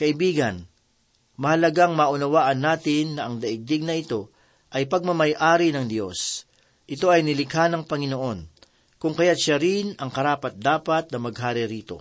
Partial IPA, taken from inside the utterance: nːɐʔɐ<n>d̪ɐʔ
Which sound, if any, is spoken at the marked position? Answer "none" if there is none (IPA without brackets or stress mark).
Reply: ŋ